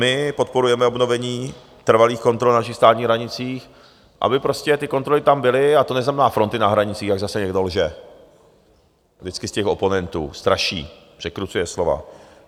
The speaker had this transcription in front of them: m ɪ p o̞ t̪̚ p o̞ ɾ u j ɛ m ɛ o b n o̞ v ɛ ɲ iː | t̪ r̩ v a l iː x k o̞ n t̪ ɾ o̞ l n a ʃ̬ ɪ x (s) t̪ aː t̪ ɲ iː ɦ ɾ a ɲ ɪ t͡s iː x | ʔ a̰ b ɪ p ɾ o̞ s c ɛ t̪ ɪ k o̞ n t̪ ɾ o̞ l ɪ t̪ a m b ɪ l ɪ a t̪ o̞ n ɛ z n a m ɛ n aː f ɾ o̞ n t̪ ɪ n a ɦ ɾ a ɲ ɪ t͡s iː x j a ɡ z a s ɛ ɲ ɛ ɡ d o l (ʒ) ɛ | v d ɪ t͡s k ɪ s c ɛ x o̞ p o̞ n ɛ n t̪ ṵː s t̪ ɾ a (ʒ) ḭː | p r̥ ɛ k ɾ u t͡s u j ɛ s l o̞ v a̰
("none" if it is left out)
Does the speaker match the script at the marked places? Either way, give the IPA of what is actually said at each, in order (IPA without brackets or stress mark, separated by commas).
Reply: s, ʒ, ʃ